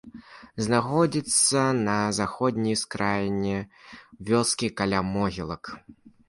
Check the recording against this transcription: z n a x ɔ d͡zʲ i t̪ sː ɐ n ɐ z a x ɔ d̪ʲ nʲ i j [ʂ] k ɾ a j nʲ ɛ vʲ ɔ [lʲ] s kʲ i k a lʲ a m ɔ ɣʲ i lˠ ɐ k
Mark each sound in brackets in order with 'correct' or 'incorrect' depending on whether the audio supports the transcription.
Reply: incorrect, incorrect

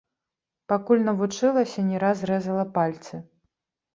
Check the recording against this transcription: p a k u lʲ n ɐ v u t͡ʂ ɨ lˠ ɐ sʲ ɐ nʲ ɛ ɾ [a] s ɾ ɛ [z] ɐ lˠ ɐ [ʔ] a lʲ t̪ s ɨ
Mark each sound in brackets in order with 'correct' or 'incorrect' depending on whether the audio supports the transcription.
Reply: correct, correct, incorrect

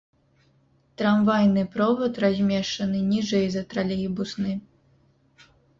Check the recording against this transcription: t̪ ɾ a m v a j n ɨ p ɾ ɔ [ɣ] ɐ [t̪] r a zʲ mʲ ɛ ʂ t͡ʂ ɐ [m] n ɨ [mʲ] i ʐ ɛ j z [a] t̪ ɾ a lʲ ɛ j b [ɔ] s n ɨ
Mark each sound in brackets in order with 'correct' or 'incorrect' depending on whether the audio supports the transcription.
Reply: incorrect, correct, incorrect, incorrect, incorrect, incorrect

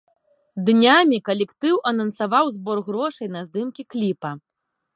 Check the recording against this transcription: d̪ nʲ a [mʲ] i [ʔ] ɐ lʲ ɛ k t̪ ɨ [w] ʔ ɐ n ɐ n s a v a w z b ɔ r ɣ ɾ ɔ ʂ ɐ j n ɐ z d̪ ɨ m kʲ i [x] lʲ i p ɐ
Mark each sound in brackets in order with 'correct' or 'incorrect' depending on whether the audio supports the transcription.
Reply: correct, incorrect, correct, incorrect

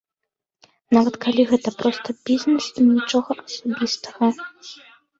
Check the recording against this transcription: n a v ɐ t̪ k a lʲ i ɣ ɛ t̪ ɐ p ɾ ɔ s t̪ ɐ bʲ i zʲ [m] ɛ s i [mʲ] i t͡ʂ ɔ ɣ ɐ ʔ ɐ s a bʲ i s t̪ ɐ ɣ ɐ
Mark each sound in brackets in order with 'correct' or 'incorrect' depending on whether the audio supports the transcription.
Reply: incorrect, incorrect

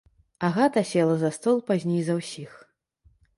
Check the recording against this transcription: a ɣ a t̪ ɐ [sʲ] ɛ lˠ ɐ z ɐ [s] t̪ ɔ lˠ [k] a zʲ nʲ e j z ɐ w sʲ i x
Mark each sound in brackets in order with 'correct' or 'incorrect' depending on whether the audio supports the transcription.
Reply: correct, correct, incorrect

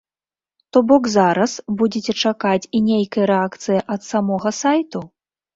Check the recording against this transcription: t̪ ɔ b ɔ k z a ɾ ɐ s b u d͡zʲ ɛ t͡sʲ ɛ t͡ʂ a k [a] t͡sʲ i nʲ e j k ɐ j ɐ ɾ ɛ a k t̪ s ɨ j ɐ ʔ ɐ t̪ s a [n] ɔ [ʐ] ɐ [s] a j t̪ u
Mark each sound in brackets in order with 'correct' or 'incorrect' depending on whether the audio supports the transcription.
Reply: correct, incorrect, incorrect, correct

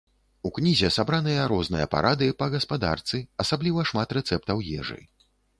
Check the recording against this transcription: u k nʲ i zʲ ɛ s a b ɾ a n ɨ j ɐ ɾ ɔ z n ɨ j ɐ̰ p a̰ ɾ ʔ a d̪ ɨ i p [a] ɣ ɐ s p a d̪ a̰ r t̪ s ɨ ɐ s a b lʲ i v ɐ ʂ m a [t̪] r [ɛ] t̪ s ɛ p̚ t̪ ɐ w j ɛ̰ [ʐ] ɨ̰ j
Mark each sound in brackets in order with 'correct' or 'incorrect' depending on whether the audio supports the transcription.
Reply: incorrect, correct, correct, correct

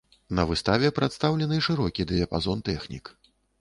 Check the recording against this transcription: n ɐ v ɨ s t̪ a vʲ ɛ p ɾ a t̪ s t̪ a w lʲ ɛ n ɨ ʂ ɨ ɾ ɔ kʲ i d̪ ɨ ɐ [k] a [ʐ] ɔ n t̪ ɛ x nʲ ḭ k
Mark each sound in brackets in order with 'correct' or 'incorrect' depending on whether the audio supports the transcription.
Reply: incorrect, incorrect

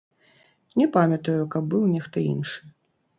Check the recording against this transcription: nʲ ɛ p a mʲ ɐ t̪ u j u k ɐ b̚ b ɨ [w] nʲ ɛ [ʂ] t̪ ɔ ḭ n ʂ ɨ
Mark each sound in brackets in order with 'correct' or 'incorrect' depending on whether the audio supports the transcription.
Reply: correct, incorrect

